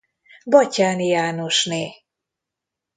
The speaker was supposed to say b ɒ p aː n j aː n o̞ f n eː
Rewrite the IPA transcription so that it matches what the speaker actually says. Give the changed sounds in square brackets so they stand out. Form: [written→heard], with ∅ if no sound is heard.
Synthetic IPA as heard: b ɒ [p→c] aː n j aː n o̞ [f→ʃ] n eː

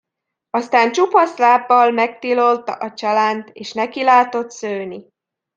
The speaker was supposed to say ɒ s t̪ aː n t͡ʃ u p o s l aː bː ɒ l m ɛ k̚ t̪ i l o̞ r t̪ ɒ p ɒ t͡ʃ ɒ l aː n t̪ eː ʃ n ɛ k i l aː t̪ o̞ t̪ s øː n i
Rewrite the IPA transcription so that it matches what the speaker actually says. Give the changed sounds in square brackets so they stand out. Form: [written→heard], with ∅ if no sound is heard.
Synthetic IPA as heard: ɒ s t̪ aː n t͡ʃ u p [o→ɒ] s l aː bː ɒ l m ɛ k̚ t̪ i l o̞ [r→l] t̪ ɒ [p→ʔ] ɒ t͡ʃ ɒ l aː n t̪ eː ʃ n ɛ k i l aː t̪ o̞ t̪ s øː n i

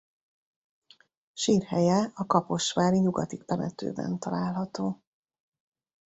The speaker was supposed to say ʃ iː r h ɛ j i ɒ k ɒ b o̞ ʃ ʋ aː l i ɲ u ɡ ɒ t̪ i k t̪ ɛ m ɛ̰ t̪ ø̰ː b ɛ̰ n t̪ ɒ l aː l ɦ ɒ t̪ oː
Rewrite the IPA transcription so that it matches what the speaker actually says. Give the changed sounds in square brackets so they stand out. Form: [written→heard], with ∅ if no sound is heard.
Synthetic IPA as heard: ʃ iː r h ɛ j [i→ɛ] ɒ k ɒ [b→p] o̞ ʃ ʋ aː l i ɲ u ɡ ɒ t̪ i k t̪ ɛ m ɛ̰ t̪ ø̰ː b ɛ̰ n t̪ ɒ l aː l ɦ ɒ t̪ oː

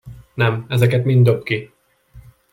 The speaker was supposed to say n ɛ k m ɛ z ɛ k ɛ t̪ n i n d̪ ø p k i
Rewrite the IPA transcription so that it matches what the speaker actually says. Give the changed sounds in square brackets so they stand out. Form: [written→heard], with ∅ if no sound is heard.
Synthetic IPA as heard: n ɛ [k→∅] m ɛ z ɛ k ɛ t̪ [n→m] i n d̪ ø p k i

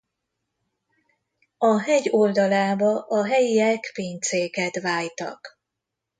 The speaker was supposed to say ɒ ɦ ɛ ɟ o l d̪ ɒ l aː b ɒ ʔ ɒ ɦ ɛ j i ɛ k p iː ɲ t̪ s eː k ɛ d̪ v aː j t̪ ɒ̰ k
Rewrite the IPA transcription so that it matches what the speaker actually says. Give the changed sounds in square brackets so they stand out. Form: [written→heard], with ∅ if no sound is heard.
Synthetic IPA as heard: ɒ ɦ ɛ ɟ o l d̪ ɒ l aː b ɒ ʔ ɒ ɦ ɛ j i ɛ k p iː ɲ t̪ s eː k ɛ [d̪→t̪] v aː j t̪ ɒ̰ k

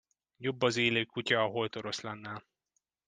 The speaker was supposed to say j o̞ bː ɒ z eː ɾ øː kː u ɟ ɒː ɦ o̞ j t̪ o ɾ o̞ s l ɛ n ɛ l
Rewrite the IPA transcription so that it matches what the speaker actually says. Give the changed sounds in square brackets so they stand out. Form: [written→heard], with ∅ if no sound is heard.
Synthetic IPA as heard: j o̞ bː ɒ z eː [ɾ→l] øː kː u [ɟ→c] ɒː ɦ o̞ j t̪ o ɾ o̞ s l ɛ [n→nː] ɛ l

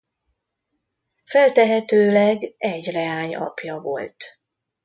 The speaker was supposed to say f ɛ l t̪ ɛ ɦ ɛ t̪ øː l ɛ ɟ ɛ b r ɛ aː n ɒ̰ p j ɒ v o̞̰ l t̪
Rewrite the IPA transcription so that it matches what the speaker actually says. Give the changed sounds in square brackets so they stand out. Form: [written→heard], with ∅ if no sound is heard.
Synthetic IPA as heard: f ɛ l t̪ ɛ ɦ ɛ t̪ øː l ɛ [ɟ→ɡ] ɛ [b→ɟ] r ɛ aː [n→ɲ] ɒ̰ p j ɒ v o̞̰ l t̪

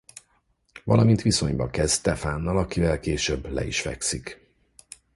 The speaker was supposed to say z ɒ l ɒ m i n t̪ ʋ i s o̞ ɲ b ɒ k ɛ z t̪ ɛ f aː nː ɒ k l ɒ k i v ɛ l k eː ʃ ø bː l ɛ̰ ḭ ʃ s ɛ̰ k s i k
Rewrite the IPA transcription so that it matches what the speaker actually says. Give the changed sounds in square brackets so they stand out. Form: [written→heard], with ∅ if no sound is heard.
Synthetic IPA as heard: [z→v] ɒ l ɒ m i n t̪ ʋ i s o̞ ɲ b ɒ k ɛ z t̪ ɛ f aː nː ɒ [k→∅] l ɒ k i v ɛ l k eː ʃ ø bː l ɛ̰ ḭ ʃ [s→f] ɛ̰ k s i k

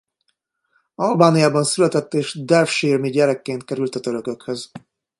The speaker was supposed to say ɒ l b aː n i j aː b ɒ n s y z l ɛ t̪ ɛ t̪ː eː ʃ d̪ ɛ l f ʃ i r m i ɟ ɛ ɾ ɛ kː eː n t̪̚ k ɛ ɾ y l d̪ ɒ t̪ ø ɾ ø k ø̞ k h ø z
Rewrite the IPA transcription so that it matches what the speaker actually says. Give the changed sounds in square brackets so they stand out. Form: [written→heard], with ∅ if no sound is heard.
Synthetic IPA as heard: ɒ l b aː n i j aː b ɒ n s y [z→∅] l ɛ t̪ ɛ t̪ː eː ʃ d̪ ɛ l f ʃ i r m i ɟ ɛ ɾ ɛ kː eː n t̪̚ k ɛ ɾ y l [d̪→t̪] ɒ t̪ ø ɾ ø k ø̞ k h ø z

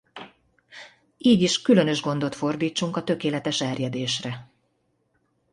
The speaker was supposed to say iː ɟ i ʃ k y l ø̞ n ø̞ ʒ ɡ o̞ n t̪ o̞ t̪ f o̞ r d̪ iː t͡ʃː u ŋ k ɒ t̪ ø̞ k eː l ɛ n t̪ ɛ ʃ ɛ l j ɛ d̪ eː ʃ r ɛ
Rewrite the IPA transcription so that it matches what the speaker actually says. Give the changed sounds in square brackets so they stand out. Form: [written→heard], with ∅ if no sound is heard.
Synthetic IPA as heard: iː ɟ i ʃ k y l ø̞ n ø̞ ʒ ɡ o̞ n [t̪→d̪] o̞ t̪ f o̞ r d̪ iː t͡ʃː u ŋ k ɒ t̪ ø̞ k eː l ɛ [n→∅] t̪ ɛ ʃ ɛ [l→r] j ɛ d̪ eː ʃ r ɛ

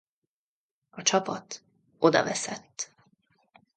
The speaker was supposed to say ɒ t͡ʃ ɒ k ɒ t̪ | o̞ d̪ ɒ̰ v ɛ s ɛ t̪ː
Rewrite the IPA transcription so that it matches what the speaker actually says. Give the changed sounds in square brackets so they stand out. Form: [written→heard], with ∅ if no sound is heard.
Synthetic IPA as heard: ɒ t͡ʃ ɒ [k→p] ɒ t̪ | o̞ d̪ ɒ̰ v ɛ s ɛ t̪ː

